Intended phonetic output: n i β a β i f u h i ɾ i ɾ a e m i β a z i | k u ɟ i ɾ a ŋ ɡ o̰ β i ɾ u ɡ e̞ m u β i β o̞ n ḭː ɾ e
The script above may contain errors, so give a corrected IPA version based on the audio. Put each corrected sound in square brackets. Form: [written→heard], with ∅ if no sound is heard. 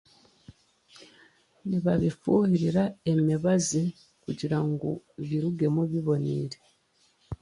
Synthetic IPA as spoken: n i β a β i f u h i ɾ i ɾ a e m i β a z i | k u ɟ i ɾ a ŋ ɡ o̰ β i ɾ u ɡ e̞ m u β i β o̞ n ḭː ɾ e